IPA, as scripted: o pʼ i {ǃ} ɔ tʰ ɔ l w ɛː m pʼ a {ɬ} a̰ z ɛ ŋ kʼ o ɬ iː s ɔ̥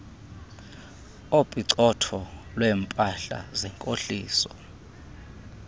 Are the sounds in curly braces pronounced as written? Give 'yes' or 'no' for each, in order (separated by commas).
no, yes